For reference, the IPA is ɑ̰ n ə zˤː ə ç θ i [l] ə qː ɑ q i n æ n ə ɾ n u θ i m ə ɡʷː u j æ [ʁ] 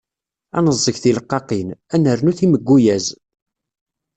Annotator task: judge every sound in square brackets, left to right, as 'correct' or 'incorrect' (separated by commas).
correct, incorrect